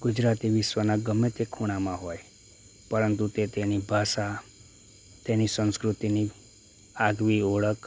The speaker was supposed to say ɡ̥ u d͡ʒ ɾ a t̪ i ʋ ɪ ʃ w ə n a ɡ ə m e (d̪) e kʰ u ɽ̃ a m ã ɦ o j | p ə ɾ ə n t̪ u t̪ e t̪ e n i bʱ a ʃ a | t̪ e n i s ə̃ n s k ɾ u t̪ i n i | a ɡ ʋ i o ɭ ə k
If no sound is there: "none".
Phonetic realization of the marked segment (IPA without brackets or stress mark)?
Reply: t̪